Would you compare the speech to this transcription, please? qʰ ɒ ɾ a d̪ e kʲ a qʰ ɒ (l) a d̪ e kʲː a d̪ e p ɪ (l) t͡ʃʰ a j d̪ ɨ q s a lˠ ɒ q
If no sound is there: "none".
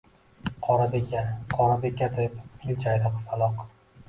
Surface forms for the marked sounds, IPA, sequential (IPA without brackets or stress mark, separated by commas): ɾ, l